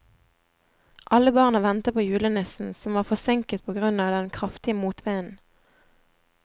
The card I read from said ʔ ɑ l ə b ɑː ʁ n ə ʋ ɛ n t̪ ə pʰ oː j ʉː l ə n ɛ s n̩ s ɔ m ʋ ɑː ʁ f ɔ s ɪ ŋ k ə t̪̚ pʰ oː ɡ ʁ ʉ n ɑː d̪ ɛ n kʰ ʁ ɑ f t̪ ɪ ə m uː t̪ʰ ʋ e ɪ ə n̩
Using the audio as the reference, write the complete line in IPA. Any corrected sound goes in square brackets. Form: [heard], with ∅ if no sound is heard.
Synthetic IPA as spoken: ʔ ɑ l ə b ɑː ʁ n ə ʋ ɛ n t̪ ə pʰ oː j ʉː l ə n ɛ s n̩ s ɔ m ʋ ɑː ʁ f ɔ s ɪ ŋ k ə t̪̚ pʰ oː ɡ ʁ ʉ n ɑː d̪ ɛ n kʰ ʁ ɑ f t̪ ɪ ə m uː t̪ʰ ʋ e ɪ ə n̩